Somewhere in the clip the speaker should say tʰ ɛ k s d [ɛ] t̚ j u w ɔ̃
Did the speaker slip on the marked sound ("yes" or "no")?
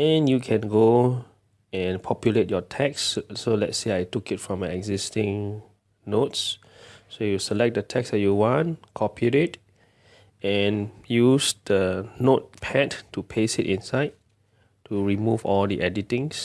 no